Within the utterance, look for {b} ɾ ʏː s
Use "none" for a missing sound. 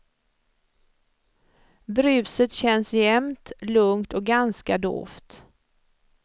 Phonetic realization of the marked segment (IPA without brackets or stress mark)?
b